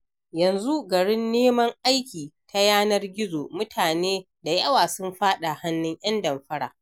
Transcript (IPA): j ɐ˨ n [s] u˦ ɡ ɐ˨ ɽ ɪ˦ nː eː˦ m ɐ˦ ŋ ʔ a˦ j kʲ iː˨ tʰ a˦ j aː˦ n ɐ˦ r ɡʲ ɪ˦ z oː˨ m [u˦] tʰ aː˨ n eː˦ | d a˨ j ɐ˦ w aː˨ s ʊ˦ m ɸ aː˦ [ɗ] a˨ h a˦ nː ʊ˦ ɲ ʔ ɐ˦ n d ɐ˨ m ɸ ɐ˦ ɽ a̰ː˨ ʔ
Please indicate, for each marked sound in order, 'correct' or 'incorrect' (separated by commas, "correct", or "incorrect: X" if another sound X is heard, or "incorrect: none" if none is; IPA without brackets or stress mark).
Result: incorrect: z, incorrect: ʊ˦, correct